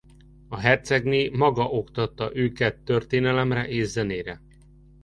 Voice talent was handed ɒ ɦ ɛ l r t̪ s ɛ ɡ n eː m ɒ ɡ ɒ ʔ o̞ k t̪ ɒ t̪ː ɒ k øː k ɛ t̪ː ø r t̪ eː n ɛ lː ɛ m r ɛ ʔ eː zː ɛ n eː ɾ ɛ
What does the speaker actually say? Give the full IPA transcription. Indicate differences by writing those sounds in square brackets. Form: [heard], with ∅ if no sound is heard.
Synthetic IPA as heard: ɒ ɦ ɛ [∅] r t̪ s ɛ ɡ n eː m ɒ ɡ ɒ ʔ o̞ k t̪ ɒ t̪ː ɒ [ʔ] øː k ɛ t̪ː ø r t̪ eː n ɛ [l] ɛ m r ɛ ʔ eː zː ɛ n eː ɾ ɛ